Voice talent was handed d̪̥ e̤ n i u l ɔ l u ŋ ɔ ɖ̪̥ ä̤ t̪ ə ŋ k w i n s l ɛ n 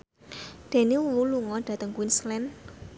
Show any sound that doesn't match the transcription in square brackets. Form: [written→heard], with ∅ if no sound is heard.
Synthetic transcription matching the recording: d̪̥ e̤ n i u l [ɔ→u] l u ŋ ɔ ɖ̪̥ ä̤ t̪ ə ŋ k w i n s l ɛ n